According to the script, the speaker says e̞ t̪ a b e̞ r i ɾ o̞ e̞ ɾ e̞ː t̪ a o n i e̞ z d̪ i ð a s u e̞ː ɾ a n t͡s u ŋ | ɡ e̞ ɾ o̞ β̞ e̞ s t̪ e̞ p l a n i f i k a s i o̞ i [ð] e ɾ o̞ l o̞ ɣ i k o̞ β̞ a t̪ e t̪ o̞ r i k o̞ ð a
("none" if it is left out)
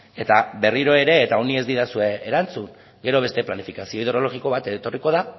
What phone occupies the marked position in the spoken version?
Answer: ð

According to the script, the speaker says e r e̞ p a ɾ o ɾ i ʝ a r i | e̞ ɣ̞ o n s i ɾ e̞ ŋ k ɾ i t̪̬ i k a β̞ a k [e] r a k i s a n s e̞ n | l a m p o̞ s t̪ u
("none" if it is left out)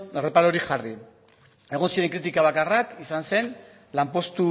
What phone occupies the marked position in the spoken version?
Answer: a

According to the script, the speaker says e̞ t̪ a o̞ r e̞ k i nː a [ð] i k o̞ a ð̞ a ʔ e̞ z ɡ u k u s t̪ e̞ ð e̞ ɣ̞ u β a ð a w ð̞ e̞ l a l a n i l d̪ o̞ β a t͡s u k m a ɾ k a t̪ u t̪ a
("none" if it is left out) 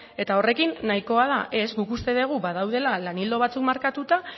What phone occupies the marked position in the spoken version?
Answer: none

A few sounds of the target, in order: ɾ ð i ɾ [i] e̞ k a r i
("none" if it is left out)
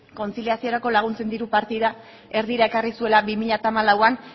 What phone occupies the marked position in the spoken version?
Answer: a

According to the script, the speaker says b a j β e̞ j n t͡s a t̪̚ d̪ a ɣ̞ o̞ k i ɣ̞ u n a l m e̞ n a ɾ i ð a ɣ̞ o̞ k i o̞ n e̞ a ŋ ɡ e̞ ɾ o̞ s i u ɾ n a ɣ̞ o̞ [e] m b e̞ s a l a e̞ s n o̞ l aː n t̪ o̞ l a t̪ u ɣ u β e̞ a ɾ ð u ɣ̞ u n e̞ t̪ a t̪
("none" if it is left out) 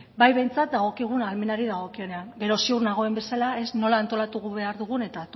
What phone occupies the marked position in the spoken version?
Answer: e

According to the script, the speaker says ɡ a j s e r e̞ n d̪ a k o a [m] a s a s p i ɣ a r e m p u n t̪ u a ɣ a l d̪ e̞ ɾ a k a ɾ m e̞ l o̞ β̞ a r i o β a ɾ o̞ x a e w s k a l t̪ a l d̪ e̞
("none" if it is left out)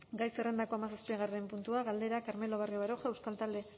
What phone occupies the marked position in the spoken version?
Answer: m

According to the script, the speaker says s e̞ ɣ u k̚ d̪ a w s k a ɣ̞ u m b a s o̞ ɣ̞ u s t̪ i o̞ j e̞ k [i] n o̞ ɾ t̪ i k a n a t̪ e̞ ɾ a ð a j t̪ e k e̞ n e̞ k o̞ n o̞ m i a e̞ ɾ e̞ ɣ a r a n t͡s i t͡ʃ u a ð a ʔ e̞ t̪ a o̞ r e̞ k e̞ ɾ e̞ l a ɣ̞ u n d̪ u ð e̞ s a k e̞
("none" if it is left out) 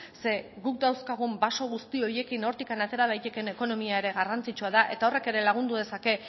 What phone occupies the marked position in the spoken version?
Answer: i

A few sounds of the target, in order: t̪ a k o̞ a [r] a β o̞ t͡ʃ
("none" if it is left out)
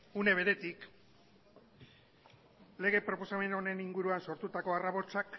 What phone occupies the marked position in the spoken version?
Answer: r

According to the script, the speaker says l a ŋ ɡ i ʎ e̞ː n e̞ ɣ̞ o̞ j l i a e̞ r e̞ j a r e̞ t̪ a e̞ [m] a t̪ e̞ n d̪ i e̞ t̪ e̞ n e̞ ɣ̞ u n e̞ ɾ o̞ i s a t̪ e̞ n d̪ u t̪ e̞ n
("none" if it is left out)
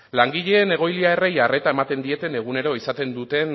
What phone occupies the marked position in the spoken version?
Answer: m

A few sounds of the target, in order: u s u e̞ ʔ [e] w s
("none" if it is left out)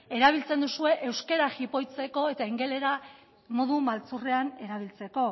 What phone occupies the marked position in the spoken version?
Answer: e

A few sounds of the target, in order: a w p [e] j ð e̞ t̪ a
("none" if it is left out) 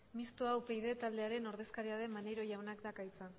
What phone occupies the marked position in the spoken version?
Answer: e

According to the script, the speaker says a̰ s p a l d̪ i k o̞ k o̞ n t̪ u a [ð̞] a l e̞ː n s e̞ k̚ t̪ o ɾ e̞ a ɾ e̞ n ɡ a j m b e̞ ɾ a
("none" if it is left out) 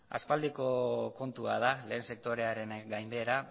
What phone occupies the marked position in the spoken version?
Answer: ð̞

